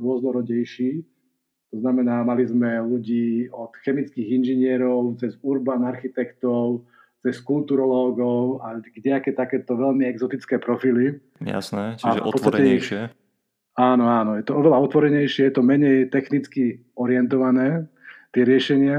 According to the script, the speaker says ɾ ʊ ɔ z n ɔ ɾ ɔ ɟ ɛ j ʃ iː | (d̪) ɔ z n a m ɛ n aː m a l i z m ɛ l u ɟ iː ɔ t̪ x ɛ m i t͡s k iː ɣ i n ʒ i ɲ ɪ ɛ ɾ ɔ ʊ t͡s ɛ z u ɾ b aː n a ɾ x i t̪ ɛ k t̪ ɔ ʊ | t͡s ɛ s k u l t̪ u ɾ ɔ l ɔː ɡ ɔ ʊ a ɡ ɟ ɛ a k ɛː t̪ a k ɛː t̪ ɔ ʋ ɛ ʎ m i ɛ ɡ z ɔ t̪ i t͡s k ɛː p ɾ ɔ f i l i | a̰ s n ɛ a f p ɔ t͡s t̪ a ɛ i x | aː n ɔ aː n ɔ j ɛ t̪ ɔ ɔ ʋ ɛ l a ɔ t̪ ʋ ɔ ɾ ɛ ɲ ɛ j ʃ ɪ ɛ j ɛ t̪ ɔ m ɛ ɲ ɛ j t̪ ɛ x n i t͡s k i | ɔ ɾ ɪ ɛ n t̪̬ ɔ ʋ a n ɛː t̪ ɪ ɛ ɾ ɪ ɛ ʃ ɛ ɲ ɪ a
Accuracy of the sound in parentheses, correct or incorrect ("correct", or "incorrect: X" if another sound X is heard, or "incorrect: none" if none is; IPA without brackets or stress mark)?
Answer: incorrect: t̪